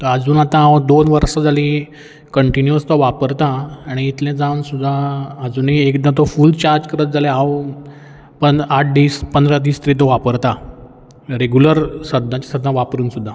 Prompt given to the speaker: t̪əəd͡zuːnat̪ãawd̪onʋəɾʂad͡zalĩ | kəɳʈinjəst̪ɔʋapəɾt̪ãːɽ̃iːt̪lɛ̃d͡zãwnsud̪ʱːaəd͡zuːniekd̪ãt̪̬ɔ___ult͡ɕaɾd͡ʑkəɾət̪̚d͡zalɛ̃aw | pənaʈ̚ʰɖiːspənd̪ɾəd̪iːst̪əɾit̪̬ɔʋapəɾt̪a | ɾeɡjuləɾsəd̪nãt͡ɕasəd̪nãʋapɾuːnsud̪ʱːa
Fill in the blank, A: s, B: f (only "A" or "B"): B